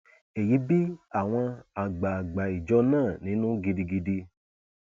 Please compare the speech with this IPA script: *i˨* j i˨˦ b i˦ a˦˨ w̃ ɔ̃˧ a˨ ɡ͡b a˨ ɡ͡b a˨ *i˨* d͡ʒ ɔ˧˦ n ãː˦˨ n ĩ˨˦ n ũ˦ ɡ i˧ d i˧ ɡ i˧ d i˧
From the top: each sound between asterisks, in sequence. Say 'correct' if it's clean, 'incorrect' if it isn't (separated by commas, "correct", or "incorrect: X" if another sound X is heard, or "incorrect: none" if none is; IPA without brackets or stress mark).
incorrect: e˨, correct